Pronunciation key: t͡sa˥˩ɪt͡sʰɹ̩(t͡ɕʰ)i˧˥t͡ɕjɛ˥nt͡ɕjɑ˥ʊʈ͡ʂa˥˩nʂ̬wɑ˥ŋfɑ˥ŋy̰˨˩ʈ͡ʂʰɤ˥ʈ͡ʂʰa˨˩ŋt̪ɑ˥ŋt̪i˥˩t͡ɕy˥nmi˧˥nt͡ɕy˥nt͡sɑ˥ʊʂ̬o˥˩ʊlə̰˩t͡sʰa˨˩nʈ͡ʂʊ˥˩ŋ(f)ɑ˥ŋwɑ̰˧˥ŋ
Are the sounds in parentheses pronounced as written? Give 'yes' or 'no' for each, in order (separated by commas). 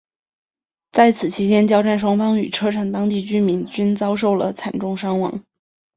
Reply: yes, no